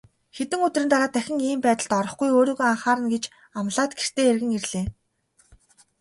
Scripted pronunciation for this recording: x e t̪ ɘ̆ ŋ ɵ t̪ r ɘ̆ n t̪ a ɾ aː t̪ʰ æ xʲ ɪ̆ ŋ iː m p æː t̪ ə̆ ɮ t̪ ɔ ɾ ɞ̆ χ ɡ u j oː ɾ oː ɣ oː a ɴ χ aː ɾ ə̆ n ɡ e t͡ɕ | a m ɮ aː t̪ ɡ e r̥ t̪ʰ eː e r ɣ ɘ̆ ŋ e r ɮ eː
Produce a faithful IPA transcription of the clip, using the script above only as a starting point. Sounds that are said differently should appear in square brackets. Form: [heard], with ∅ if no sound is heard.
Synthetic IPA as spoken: x e t̪ ɘ̆ ŋ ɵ t̪ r ɘ̆ n t̪ a ɾ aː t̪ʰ æ xʲ ɪ̆ ŋ iː m p æː t̪ ə̆ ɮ t̪ ɔ ɾ ɞ̆ χ ɡ u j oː ɾ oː ɣ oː a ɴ χ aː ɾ ə̆ n ɡ e t͡ɕ | a m ɮ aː t̪ ɡ e r̥ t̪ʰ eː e r ɣ ɘ̆ ŋ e r ɮ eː